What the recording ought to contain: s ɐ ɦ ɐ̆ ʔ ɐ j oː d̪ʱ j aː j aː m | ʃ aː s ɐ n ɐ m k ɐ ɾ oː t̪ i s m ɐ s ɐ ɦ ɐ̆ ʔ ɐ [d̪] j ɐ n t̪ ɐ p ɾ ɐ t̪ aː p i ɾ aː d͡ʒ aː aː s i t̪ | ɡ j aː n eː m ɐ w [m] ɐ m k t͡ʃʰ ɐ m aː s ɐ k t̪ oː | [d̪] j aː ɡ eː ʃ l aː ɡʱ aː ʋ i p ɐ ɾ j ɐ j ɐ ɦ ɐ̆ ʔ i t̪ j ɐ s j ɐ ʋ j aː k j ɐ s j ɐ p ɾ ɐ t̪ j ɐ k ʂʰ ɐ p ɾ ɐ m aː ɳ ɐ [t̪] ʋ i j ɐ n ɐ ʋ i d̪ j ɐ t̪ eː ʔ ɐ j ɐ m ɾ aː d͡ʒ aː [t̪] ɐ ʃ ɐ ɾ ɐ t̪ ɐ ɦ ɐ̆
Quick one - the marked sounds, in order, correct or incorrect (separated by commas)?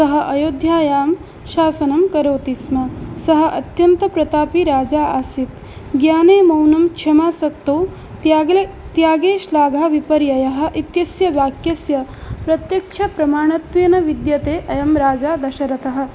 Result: incorrect, incorrect, incorrect, correct, incorrect